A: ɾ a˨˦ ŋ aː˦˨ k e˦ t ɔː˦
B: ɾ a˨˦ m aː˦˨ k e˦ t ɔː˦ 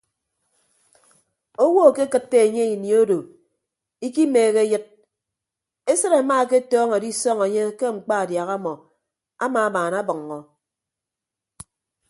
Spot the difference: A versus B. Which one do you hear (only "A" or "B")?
B